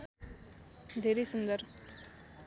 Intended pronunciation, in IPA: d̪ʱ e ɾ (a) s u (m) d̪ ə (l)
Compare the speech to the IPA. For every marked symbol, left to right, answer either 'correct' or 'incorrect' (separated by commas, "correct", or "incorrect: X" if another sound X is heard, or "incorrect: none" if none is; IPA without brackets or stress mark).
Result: incorrect: i, incorrect: n, incorrect: ɾ